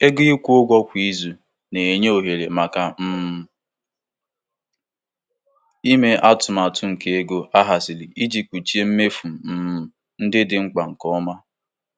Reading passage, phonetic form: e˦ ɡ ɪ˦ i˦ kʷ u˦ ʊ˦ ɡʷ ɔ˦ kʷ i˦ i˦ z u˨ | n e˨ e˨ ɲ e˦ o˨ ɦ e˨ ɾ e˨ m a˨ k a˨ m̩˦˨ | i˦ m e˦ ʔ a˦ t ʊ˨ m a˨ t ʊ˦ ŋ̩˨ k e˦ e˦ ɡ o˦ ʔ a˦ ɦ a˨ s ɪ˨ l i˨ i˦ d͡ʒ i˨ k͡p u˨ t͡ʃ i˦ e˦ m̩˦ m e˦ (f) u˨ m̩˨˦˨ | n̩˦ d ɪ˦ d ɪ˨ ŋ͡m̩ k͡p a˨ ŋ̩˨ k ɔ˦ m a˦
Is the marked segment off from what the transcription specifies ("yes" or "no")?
no